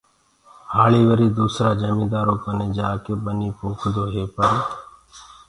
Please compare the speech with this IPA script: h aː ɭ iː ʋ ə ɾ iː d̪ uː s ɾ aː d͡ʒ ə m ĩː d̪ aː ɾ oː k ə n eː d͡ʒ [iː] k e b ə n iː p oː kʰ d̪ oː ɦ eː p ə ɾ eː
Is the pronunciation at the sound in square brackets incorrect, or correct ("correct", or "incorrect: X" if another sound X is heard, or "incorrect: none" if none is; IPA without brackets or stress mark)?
incorrect: aː